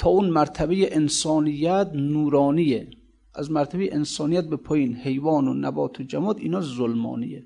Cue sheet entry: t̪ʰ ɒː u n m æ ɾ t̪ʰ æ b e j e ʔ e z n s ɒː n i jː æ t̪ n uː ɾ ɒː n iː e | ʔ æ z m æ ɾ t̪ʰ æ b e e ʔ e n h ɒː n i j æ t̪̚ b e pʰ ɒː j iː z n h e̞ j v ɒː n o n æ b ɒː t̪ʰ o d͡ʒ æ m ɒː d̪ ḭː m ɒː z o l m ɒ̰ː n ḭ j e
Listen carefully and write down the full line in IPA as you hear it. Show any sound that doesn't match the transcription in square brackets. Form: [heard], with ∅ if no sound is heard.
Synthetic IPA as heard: t̪ʰ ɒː u n m æ ɾ t̪ʰ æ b e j e ʔ e [∅] n s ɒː n i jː æ t̪ n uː ɾ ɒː n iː e | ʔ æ z m æ ɾ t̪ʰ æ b e e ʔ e n [s] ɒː n i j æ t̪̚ b e pʰ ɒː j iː [∅] n h e̞ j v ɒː n o n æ b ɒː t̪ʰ o d͡ʒ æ m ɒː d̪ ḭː [n] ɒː z o l m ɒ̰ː n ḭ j e